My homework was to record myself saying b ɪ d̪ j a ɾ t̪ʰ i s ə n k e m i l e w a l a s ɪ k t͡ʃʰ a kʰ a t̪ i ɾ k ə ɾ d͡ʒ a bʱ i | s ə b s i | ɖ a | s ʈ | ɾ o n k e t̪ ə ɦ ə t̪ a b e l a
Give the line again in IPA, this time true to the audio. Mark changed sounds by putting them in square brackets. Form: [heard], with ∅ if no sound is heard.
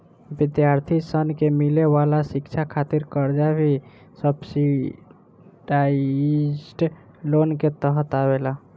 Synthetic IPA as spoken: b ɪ d̪ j a ɾ t̪ʰ i s ə n k e m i l e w a l a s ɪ k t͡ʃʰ a kʰ a t̪ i ɾ k ə ɾ d͡ʒ a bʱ i | s ə b s i | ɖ a | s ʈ | [l] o n k e t̪ ə ɦ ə t̪ a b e l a